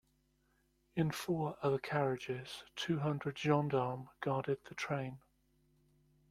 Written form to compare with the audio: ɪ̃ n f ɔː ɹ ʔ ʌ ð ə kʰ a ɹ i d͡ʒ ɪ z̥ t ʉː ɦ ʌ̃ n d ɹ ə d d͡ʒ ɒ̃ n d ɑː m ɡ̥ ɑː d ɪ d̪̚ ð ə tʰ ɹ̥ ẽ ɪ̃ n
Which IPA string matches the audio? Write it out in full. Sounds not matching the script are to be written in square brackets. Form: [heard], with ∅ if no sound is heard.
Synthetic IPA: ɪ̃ n f ɔː ɹ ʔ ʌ ð ə kʰ a ɹ [ɪ] d͡ʒ ɪ z̥ [tʰ] ʉː ɦ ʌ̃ n d ɹ ə d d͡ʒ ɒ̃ n d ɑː m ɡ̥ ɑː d ɪ d̪̚ ð ə tʰ ɹ̥ ẽ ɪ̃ n

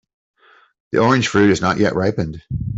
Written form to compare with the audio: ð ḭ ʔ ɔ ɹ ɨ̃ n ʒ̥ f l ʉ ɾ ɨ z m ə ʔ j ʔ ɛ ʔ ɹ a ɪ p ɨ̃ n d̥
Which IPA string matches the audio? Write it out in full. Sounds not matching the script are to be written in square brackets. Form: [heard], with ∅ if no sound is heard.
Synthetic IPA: ð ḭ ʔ ɔ ɹ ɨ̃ n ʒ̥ f [ɹ] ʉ ɾ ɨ z [n] ə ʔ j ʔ ɛ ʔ ɹ a ɪ p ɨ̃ n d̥

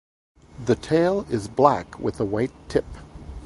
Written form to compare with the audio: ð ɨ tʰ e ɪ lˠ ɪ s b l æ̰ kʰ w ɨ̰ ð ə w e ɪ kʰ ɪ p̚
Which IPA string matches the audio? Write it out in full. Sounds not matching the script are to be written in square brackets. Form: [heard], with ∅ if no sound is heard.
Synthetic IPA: ð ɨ tʰ e ɪ lˠ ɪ [z] b l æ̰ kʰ w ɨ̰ ð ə w [a] ɪ [tʰ] ɪ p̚

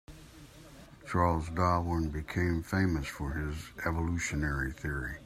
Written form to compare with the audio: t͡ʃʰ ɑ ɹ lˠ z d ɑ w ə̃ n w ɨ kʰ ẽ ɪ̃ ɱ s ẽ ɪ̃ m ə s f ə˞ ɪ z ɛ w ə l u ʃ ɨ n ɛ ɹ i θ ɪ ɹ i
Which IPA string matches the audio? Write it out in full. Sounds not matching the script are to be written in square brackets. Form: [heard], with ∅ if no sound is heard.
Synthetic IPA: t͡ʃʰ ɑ ɹ lˠ z d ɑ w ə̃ n [b] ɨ kʰ ẽ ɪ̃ ɱ [f] ẽ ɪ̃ m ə s f ə˞ ɪ z ɛ [v] ə l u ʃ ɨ n ɛ ɹ i θ ɪ ɹ i

